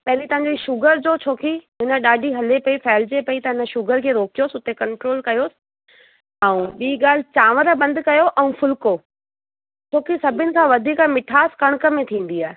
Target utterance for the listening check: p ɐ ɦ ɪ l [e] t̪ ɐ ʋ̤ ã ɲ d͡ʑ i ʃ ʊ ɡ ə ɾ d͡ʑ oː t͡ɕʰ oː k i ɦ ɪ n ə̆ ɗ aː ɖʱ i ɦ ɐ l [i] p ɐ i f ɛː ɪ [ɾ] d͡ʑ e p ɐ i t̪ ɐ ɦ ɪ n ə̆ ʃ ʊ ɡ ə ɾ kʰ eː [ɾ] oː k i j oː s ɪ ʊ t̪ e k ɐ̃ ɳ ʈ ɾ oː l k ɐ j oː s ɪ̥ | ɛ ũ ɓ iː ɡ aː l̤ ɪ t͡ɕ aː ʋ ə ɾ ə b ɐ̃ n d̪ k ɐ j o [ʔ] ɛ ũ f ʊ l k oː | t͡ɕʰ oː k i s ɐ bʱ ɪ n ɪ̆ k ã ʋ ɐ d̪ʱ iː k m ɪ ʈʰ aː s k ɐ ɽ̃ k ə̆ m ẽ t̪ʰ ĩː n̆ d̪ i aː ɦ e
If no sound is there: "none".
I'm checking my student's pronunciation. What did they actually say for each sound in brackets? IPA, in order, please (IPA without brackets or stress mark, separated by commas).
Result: i, e, l, ɾ, ʔ